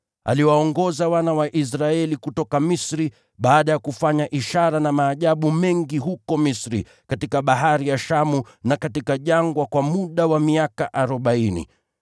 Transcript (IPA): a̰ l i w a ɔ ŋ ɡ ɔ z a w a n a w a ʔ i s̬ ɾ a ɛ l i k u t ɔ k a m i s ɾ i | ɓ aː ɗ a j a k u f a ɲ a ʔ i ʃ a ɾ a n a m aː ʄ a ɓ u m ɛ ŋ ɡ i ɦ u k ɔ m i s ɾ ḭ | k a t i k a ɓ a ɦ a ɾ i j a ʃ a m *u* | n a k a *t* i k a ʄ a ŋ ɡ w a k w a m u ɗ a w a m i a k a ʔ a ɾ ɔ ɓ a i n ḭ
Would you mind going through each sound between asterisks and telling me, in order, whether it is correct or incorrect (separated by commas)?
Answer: correct, correct